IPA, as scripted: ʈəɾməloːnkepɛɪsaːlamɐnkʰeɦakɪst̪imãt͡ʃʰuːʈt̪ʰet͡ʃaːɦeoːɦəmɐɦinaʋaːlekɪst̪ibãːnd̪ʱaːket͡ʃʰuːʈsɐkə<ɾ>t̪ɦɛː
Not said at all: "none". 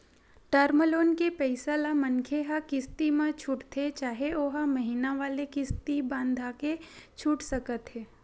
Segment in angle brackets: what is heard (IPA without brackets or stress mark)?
none